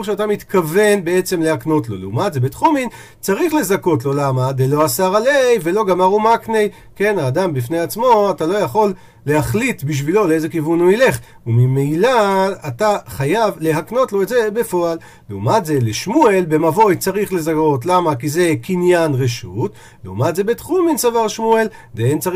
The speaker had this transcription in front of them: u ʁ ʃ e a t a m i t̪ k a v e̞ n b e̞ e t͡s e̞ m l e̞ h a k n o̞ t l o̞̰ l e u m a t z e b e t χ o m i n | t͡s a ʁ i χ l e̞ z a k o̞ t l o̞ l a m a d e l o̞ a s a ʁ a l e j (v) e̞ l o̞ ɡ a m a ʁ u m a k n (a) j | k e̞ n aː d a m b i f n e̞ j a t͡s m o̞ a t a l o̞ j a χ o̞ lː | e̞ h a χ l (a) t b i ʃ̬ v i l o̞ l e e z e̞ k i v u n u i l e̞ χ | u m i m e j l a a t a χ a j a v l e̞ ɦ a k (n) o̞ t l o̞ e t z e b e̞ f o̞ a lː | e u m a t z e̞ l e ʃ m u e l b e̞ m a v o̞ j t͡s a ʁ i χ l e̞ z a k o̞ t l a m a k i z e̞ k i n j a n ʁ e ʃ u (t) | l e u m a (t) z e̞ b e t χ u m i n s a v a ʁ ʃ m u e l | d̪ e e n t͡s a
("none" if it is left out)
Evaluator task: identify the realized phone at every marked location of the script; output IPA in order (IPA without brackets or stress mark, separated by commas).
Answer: v, e, i, n, t, t